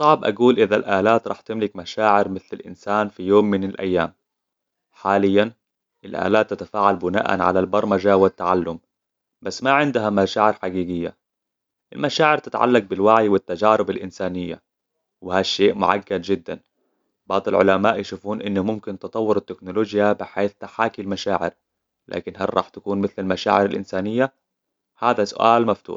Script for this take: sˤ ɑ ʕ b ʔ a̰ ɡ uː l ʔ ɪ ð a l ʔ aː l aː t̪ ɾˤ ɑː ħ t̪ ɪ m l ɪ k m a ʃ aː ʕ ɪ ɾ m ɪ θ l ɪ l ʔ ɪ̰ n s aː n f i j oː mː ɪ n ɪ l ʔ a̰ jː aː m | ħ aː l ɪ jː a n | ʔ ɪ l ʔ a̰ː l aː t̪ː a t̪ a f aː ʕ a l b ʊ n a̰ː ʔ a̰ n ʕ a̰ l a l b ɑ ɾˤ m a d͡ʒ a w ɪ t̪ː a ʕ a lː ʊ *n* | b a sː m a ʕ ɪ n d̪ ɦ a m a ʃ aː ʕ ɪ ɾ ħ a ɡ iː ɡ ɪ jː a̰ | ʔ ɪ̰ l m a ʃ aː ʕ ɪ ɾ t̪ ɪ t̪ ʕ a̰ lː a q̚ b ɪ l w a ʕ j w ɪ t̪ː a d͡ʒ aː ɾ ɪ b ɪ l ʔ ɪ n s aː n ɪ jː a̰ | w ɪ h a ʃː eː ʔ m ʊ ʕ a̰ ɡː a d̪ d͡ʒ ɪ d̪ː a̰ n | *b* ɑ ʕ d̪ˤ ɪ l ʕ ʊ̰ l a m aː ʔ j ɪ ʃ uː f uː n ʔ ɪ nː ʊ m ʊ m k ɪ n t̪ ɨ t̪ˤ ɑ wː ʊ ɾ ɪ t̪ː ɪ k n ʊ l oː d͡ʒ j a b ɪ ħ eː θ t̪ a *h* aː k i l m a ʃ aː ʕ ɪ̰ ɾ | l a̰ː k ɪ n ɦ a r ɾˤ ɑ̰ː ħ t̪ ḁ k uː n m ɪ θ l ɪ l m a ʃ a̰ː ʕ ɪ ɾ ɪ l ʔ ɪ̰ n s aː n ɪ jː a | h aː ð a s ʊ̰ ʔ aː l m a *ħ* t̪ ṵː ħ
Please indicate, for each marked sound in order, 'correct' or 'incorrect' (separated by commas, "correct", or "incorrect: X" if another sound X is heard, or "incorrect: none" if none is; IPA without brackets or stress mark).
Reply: incorrect: m, correct, incorrect: ħ, incorrect: f